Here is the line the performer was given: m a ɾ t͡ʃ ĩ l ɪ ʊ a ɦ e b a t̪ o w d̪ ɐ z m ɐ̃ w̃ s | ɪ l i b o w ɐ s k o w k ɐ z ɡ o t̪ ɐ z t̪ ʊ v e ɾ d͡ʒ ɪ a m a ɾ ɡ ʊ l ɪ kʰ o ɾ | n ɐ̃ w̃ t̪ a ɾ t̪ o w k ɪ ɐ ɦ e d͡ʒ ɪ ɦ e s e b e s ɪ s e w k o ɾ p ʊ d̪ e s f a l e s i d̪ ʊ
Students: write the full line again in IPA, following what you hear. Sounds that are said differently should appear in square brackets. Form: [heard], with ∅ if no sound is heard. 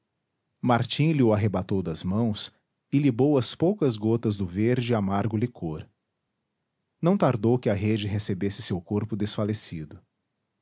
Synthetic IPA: m a ɾ t͡ʃ ĩ l ɪ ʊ a ɦ e b a t̪ o w d̪ ɐ z m ɐ̃ w̃ s | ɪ l i b o w ɐ s [p] o w k ɐ z ɡ o t̪ ɐ z [d̪] ʊ v e ɾ d͡ʒ ɪ a m a ɾ ɡ ʊ l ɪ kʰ o ɾ | n ɐ̃ w̃ t̪ a ɾ [d̪] o w k ɪ ɐ ɦ e d͡ʒ ɪ ɦ e s e b e s ɪ s e w k o ɾ p ʊ d̪ e s f a l e s i d̪ ʊ